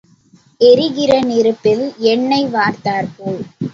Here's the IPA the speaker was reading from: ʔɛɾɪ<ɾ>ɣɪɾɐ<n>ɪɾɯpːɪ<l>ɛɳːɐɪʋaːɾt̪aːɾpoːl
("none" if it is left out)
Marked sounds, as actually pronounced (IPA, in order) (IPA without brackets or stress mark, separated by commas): none, n, l